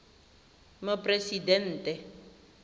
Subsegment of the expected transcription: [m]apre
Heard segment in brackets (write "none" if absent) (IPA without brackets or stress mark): m